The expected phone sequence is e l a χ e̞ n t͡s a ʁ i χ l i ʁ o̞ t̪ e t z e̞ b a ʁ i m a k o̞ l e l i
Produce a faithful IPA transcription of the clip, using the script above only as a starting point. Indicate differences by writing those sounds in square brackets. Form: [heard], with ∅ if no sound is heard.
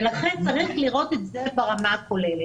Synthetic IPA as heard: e l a χ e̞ n t͡s a ʁ i χ l i ʁ o̞ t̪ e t z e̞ b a ʁ [a] m a k o̞ l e l [e]